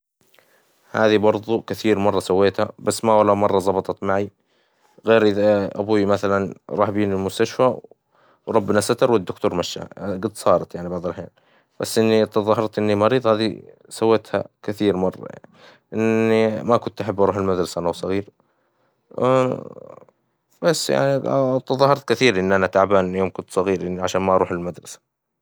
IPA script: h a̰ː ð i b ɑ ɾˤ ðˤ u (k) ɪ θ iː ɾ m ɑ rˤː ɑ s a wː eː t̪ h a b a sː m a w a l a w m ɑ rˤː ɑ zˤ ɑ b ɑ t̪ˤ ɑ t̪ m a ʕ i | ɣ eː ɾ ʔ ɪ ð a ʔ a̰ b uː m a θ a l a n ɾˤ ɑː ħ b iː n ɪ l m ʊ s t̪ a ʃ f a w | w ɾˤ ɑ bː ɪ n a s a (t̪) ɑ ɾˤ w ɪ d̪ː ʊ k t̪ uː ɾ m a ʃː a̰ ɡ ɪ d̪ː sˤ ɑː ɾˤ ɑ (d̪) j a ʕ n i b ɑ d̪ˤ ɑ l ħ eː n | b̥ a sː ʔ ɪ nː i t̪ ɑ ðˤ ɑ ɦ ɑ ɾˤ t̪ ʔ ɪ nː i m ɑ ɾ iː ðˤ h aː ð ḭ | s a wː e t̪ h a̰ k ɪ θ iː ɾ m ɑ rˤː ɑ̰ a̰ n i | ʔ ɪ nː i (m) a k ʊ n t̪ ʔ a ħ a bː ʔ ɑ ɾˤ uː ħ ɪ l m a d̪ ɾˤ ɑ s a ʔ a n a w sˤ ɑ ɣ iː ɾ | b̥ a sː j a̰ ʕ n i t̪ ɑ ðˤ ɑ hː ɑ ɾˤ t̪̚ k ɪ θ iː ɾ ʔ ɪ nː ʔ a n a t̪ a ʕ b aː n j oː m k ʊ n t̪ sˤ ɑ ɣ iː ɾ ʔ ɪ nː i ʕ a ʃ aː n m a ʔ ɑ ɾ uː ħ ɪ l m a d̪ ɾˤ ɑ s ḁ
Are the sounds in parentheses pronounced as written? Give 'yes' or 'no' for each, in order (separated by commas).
yes, yes, no, yes